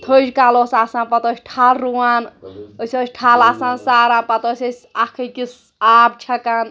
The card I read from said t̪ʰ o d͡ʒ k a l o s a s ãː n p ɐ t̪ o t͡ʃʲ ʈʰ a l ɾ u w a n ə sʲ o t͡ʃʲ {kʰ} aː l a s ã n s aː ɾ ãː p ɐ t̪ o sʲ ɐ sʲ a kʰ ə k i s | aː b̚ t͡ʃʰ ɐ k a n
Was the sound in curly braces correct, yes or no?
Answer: no